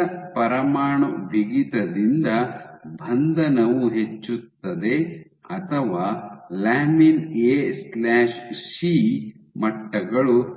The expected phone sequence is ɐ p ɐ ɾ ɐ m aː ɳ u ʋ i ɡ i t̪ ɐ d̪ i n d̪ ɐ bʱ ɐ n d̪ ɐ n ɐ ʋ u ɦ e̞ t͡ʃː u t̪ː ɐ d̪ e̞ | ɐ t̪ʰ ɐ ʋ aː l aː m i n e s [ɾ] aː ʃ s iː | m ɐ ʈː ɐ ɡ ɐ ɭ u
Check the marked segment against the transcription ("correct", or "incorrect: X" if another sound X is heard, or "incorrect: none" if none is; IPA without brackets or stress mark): incorrect: l